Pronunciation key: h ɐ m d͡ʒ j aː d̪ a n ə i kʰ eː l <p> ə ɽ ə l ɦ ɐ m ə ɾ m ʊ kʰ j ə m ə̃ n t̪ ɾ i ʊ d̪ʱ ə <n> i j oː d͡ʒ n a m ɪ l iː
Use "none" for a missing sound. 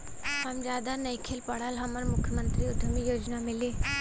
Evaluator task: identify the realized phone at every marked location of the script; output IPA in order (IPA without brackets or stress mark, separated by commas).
p, m